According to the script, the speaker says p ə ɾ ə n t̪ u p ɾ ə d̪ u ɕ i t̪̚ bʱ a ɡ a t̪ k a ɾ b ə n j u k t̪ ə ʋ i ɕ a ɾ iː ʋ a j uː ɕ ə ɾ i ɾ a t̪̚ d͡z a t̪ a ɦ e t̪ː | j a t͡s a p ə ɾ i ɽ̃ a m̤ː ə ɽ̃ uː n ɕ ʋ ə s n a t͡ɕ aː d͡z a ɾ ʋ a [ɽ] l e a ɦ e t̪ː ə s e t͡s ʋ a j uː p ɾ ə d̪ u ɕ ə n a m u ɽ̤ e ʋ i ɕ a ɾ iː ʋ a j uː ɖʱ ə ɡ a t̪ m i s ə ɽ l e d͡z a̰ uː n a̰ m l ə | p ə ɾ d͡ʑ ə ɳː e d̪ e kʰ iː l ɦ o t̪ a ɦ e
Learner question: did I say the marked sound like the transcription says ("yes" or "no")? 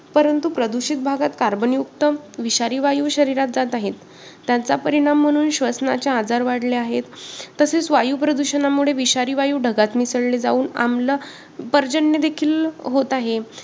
yes